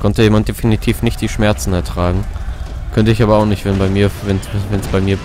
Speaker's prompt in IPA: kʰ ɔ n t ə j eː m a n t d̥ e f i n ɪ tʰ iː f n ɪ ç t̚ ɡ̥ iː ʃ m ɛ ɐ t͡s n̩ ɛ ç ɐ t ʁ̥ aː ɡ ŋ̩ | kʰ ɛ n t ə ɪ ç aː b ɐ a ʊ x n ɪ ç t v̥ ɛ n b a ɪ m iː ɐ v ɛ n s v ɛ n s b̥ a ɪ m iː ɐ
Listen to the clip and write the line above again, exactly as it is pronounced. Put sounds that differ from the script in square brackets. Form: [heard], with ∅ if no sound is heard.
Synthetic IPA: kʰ ɔ n t ə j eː m a n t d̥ e f i n [i] tʰ iː f n ɪ ç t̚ [d̥] iː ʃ m ɛ ɐ t͡s n̩ ɛ [∅] ɐ t ʁ̥ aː ɡ ŋ̩ | kʰ [œ] n t ə ɪ ç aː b ɐ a ʊ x n ɪ ç t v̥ ɛ n b a ɪ m iː ɐ v ɛ n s v ɛ n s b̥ a ɪ m iː ɐ